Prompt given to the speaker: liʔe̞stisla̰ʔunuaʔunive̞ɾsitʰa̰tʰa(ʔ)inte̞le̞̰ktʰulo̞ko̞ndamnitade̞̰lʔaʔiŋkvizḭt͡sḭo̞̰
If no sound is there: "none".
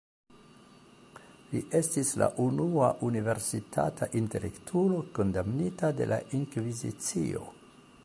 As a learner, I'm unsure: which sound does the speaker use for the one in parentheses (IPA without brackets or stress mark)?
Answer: ʔ